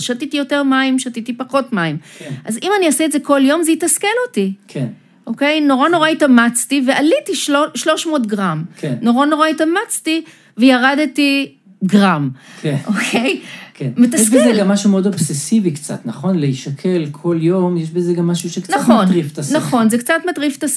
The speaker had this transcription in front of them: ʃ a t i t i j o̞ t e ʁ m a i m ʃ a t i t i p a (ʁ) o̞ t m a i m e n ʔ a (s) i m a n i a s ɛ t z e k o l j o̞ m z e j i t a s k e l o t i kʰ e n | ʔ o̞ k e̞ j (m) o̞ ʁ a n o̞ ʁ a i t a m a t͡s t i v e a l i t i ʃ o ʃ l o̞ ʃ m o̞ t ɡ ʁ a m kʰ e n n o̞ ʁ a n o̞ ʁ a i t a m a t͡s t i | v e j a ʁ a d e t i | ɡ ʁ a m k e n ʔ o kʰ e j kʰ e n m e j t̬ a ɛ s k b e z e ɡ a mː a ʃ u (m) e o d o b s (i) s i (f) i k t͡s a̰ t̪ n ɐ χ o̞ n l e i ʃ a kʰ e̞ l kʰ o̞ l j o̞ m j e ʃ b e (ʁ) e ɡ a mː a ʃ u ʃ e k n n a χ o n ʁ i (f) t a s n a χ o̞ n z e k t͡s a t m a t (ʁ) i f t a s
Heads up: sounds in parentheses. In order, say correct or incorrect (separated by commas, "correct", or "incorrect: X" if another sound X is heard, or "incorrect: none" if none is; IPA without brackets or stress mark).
incorrect: χ, incorrect: z, incorrect: n, correct, incorrect: e, incorrect: v, incorrect: z, correct, correct